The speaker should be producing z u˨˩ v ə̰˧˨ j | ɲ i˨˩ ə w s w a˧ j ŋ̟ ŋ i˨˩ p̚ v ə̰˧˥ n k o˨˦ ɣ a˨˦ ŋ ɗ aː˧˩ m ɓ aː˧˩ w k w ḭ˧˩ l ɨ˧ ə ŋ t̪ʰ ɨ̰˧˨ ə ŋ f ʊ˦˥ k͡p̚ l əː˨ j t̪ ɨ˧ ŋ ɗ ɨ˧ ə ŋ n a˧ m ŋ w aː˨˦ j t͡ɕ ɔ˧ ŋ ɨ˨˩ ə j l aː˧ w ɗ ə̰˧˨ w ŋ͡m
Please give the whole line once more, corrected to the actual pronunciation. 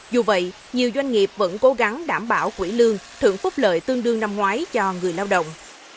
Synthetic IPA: z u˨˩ v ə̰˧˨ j | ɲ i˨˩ ə w z w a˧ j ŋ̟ ŋ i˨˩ p̚ v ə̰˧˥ n k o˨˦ ɣ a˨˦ ŋ ɗ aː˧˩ m ɓ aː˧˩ w k w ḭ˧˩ l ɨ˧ ə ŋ t̪ʰ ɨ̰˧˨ ə ŋ f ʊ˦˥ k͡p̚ l əː˨ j t̪ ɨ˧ ŋ ɗ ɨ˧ ə ŋ n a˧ m ŋ w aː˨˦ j t͡ɕ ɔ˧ ŋ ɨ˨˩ ə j l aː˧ w ɗ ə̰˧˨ w ŋ͡m